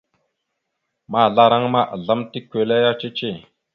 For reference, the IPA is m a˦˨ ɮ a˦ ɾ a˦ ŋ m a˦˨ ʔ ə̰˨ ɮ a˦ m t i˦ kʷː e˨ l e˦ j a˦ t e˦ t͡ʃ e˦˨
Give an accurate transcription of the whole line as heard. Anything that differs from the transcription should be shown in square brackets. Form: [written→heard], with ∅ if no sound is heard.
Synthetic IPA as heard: m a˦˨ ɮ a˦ ɾ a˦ ŋ m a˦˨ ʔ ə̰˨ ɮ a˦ m t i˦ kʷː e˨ l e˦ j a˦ [t→t͡ʃ] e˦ t͡ʃ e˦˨

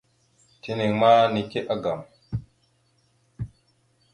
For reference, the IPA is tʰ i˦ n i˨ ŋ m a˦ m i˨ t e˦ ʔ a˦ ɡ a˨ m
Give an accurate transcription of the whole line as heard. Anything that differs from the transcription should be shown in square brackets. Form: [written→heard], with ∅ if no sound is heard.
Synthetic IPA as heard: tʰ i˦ n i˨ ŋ m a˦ [m→n] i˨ [t→k] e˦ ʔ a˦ ɡ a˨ m

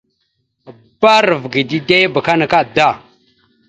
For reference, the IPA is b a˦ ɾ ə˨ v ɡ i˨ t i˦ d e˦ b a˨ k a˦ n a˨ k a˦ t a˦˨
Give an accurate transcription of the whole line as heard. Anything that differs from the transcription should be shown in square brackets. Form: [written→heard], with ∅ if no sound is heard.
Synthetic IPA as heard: b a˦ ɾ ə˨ v ɡ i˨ [t→d] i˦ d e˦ b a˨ k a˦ n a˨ k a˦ [t→d] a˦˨

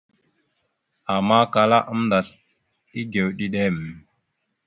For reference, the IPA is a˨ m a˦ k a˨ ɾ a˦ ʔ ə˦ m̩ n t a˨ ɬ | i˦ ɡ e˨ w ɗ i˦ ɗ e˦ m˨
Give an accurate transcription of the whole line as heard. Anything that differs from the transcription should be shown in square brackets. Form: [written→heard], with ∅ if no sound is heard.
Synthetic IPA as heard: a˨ m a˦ k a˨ [ɾ→l] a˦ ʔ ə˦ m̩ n [t→d] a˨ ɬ | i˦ ɡ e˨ w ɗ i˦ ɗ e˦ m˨

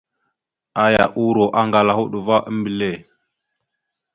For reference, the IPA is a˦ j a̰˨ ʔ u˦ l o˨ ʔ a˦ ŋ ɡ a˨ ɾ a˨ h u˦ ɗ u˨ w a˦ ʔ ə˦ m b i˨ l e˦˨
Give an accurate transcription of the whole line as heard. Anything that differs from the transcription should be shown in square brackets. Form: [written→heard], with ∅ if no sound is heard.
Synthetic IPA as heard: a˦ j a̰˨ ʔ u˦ [l→ɾ] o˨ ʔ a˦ ŋ ɡ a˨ [ɾ→l] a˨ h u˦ ɗ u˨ [w→v] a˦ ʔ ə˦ m b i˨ l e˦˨

